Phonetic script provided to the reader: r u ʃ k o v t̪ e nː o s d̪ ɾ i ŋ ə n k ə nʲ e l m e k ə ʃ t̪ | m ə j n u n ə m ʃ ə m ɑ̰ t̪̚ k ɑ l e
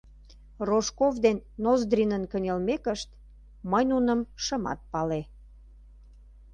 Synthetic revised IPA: r o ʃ k o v d̪ e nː o z d̪ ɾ i n ə n k ə nʲ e l m e k ə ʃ t̪ | m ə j n u n ə m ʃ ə m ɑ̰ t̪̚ p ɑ l e